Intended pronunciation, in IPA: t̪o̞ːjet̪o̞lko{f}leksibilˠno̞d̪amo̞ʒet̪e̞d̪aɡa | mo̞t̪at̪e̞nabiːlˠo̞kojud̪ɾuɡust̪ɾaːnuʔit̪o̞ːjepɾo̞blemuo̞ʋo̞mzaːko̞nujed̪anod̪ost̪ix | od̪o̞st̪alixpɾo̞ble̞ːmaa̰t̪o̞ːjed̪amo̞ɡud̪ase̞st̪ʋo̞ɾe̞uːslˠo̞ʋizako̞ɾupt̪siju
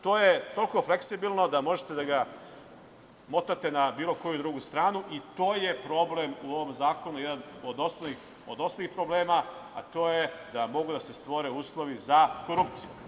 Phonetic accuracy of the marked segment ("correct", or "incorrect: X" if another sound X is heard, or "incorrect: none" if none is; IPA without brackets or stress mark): correct